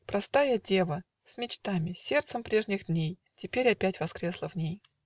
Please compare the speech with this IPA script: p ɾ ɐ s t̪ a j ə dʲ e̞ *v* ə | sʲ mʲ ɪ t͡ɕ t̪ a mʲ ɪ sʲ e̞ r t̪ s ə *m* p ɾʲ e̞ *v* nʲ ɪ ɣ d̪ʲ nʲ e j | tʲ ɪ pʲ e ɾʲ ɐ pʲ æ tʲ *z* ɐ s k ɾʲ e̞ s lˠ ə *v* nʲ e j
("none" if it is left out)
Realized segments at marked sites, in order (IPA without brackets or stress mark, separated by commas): v, m, ʐ, v, v